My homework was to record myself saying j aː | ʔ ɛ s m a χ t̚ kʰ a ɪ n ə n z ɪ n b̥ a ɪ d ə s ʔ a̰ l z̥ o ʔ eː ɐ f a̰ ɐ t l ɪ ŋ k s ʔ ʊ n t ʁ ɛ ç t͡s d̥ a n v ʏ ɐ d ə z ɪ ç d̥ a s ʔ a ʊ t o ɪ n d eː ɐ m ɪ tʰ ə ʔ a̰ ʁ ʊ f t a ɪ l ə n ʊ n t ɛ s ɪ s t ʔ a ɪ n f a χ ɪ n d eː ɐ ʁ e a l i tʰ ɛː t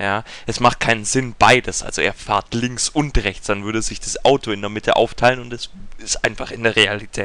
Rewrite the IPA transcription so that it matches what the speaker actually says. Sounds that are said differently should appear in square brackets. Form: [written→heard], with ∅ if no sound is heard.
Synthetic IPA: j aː | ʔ ɛ s m a χ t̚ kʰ a ɪ n ə n z ɪ n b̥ a ɪ d ə s ʔ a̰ l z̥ o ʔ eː ɐ f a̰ ɐ t l ɪ ŋ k s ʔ ʊ n t ʁ ɛ ç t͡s d̥ a n v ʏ ɐ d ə z ɪ ç d̥ a s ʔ a ʊ t o ɪ n d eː ɐ m ɪ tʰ ə ʔ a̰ [ʁ→∅] ʊ f [t→tʰ] a ɪ l ə n ʊ n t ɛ s ɪ s t ʔ a ɪ n f a χ ɪ n d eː ɐ ʁ e a l i tʰ ɛː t

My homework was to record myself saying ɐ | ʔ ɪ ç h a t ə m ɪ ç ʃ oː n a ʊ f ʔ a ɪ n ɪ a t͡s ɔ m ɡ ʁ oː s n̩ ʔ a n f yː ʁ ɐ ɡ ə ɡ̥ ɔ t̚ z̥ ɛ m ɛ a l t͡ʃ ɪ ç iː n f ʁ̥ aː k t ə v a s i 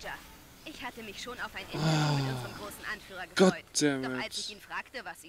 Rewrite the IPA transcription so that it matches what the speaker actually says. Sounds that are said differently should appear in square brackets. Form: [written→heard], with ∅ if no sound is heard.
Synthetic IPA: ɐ | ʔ ɪ ç h a t ə m ɪ ç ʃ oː n a ʊ f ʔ a ɪ n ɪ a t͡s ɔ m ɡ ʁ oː s n̩ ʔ a n f yː ʁ ɐ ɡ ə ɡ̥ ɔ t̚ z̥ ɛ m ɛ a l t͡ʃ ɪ ç iː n f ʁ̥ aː k t ə v a s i

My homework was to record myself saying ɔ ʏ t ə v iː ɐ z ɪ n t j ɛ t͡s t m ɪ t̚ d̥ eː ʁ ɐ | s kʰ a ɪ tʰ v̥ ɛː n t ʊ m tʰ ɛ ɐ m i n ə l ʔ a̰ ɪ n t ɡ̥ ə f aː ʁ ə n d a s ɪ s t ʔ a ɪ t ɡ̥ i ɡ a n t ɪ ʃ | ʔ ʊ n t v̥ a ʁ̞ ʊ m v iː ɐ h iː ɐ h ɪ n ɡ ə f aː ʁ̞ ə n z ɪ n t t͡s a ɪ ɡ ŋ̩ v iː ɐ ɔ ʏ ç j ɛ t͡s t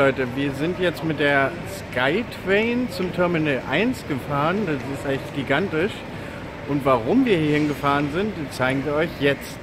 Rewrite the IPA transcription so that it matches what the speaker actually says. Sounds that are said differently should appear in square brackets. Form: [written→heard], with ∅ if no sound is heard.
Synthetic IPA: ɔ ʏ t ə v iː ɐ z ɪ n t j ɛ t͡s t m ɪ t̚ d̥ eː [ʁ→∅] ɐ | s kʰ a ɪ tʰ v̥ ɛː n [t→t͡s] ʊ m tʰ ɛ ɐ m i n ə l ʔ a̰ ɪ n [t→s] ɡ̥ ə f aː ʁ ə n d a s ɪ s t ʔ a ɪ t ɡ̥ i ɡ a n t ɪ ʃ | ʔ ʊ n t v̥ a ʁ̞ ʊ m v iː ɐ h iː ɐ h ɪ n ɡ ə f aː ʁ̞ ə n z ɪ n t t͡s a ɪ ɡ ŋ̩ v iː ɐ ɔ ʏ ç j ɛ t͡s t

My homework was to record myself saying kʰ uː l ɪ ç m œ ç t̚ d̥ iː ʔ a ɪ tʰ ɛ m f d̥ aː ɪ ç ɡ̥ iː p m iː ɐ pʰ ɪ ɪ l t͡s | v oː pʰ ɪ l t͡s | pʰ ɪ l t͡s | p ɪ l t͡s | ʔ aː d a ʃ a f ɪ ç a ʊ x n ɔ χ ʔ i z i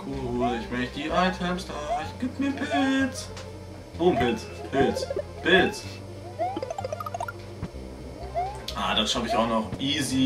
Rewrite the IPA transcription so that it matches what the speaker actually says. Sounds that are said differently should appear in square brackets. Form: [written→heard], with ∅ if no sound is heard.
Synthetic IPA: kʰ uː l ɪ ç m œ ç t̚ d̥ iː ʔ a ɪ tʰ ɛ m [f→s] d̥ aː ɪ ç ɡ̥ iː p m iː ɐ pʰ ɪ ɪ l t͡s | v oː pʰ ɪ l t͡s | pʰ ɪ l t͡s | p ɪ l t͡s | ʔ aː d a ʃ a f ɪ ç a ʊ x n ɔ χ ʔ [i→iː] z i

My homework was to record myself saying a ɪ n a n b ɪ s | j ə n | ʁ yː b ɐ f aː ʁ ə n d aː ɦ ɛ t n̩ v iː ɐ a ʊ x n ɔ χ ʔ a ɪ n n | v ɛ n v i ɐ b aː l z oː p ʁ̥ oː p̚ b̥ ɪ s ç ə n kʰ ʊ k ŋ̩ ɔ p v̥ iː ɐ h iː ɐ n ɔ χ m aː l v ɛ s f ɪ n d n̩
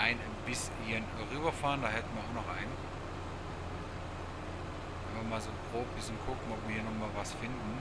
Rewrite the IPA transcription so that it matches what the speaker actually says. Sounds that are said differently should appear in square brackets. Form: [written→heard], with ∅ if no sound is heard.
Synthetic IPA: a ɪ n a n b ɪ s | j ə n | ʁ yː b ɐ f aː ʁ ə n d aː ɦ ɛ t n̩ v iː ɐ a ʊ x n ɔ χ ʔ a ɪ n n | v ɛ n v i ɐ [b→m] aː l z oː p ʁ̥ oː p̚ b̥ ɪ s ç ə n kʰ ʊ k ŋ̩ ɔ p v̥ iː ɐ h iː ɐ n ɔ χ m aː l v [ɛ→a] s f ɪ n d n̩

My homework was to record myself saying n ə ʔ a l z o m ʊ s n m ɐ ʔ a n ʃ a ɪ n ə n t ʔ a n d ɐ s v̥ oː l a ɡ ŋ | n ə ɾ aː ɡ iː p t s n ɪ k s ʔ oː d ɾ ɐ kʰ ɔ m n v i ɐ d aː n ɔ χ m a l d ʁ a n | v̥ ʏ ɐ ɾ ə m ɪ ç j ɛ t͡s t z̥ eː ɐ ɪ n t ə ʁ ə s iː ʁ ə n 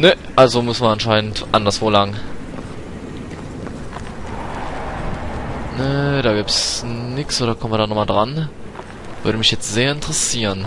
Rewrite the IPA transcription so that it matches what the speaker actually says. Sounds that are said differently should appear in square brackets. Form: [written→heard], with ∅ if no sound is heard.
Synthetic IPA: n ə ʔ a l z o m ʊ s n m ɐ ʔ a n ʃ a ɪ n ə n t ʔ a n d ɐ s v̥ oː l a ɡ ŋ | n ə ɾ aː ɡ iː p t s n ɪ k s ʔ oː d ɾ ɐ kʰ ɔ m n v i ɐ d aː n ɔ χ m a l d ʁ a n | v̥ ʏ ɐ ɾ ə m ɪ ç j ɛ t͡s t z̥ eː ɐ ɪ n t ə ʁ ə s iː ʁ ə n

